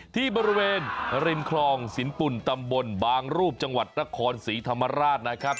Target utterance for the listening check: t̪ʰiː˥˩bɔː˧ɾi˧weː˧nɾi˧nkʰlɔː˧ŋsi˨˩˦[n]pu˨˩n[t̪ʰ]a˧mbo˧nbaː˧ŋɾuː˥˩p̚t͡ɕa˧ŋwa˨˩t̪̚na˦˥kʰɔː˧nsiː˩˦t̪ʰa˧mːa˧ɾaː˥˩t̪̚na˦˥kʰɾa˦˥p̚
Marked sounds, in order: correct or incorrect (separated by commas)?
correct, incorrect